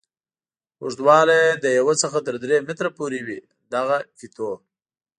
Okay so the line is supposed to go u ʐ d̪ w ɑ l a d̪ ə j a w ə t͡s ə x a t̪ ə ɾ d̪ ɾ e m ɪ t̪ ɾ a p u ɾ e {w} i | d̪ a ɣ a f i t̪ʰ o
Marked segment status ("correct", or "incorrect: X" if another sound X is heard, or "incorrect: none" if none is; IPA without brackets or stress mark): correct